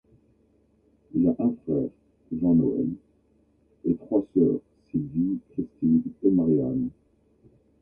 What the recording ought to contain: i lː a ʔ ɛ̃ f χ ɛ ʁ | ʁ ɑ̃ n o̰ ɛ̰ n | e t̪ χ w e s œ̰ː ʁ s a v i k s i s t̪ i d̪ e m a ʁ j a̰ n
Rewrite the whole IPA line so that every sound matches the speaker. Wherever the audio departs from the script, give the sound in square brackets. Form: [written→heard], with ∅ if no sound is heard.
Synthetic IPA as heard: i [lː→l] a ʔ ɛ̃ f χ ɛ ʁ | [ʁ→ʒ] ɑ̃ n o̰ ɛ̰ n | e t̪ χ w [e→a] s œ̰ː ʁ s [a→i] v i k [s→χ] i s t̪ i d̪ e m a ʁ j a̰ n